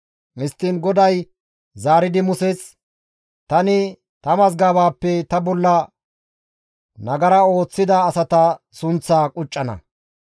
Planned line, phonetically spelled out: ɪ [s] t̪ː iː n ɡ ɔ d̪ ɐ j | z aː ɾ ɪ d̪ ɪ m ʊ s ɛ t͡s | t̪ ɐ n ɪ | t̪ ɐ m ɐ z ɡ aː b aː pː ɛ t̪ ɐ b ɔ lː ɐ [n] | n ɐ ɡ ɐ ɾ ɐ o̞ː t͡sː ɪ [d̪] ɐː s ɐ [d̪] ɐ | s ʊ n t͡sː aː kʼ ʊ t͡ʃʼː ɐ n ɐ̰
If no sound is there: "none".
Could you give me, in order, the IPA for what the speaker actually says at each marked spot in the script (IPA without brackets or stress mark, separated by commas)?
s, none, d̪, t̪